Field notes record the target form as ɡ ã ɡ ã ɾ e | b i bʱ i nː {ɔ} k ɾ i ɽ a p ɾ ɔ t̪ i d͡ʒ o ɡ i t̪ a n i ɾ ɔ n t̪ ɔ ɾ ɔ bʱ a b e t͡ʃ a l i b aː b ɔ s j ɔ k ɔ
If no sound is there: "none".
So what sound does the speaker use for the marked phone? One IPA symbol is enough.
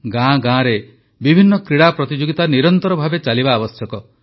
ɔ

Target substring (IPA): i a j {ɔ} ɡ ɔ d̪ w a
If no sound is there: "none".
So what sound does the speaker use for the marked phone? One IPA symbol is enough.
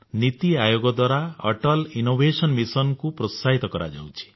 o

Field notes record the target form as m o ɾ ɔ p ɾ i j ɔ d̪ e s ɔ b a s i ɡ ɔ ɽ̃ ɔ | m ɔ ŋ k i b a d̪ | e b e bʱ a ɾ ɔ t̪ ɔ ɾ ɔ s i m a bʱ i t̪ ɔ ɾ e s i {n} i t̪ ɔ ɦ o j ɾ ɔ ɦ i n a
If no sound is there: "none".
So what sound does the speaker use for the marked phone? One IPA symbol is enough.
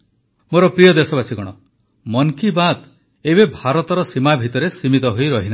m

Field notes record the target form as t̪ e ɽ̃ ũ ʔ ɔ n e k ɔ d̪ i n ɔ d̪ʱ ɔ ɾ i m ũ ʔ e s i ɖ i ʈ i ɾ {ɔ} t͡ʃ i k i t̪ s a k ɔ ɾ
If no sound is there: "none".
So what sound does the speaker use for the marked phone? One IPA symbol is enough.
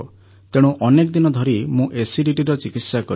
ɔ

